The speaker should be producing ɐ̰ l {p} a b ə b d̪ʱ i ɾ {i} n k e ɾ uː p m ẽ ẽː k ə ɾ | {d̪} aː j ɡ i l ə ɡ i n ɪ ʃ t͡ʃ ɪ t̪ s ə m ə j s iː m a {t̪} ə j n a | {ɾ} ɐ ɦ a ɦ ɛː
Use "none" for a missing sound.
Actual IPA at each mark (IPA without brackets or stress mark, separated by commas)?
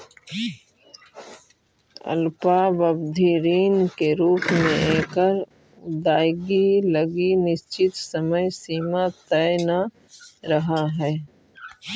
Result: p, iː, d̪, t̪, ɾ